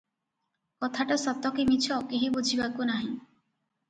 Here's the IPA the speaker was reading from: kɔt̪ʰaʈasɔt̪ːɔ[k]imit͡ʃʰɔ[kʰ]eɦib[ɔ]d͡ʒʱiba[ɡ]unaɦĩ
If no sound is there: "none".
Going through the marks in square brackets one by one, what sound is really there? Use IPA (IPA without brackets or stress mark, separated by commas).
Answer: k, k, u, k